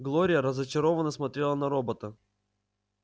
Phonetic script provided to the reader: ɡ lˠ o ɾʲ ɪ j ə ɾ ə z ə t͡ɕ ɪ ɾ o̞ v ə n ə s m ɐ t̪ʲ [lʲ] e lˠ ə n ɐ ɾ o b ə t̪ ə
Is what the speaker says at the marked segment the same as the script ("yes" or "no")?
no